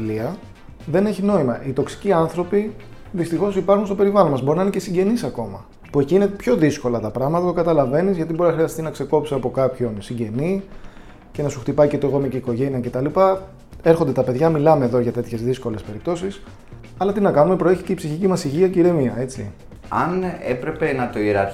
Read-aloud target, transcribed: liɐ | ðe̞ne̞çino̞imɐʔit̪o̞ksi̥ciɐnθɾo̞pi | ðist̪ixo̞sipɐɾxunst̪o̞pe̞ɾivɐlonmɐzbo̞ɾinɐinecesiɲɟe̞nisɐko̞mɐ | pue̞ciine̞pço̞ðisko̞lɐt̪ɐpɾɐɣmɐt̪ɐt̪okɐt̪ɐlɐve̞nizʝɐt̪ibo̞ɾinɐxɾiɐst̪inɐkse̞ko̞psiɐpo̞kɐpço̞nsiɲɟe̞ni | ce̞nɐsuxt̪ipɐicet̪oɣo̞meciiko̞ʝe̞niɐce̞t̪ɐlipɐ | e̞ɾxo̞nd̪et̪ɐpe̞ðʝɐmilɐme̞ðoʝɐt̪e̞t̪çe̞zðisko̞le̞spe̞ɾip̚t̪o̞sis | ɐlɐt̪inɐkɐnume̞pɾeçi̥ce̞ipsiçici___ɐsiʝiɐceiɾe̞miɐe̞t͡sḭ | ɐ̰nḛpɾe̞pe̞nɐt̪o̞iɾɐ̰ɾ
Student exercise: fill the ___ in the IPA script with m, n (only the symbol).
m